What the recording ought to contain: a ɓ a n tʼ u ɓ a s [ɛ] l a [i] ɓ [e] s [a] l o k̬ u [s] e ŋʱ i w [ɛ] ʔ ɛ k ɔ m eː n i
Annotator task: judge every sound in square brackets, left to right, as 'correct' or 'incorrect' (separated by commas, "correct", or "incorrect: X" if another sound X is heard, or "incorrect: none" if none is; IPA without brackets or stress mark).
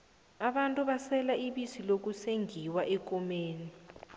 correct, correct, incorrect: i, incorrect: i, correct, incorrect: a